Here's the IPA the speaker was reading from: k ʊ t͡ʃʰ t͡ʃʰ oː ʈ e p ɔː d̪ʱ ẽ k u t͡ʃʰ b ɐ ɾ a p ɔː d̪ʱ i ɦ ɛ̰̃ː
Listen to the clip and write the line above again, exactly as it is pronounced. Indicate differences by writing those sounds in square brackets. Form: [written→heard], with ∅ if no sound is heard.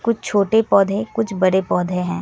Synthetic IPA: k ʊ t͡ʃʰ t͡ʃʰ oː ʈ e p ɔː d̪ʱ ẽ k [u→ʊ] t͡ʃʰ b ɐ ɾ [a→e] p ɔː d̪ʱ [i→e] ɦ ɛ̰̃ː